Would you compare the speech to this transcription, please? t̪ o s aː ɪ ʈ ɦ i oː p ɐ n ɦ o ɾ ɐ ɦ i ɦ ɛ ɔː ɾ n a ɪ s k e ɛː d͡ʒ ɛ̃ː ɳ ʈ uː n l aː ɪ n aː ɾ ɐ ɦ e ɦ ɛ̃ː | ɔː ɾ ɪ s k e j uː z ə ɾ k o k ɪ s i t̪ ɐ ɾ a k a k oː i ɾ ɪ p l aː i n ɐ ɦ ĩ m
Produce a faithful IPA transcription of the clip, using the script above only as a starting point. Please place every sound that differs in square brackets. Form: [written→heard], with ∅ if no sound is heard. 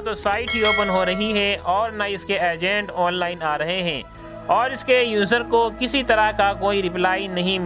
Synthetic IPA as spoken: t̪ o s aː ɪ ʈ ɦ i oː p [ɐ→ə] n ɦ o ɾ ɐ ɦ i ɦ ɛ ɔː ɾ n a ɪ s k e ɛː d͡ʒ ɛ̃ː ɳ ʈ [uː→ɔː] n l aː ɪ n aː ɾ ɐ ɦ e ɦ ɛ̃ː | ɔː ɾ ɪ s k e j uː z ə ɾ k o k ɪ s i t̪ ɐ ɾ a k a k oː i ɾ ɪ p l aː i n ɐ ɦ ĩ m